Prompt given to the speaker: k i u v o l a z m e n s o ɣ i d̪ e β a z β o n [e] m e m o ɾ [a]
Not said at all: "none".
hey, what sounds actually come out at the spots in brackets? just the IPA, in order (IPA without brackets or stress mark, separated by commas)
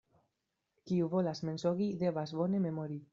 e, i